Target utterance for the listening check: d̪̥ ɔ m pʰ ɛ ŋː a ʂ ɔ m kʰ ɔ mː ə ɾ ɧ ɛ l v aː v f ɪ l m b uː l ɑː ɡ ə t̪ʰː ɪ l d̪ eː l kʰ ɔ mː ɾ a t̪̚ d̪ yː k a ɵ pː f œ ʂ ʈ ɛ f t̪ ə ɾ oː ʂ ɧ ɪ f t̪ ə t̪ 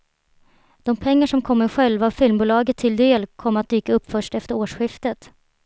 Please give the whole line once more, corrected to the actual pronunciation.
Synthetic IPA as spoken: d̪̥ ɔ m pʰ ɛ ŋː a ʂ ɔ m kʰ ɔ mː ə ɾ ɧ ɛ l v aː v f ɪ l m b uː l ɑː ɡ ə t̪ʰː ɪ l d̪ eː l kʰ ɔ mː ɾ a t̪̚ d̪ yː k a ɵ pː f œ ʂ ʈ ɛ f t̪ ə ɾ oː ʂ ɧ ɪ f t̪ ə t̪